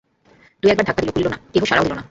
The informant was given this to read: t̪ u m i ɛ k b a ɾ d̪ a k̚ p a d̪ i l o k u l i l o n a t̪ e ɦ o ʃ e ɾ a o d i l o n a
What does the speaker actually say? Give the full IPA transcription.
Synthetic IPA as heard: t̪ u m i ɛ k b a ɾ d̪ a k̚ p a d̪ i l o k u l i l o n a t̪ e ɦ o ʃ a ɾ a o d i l o n a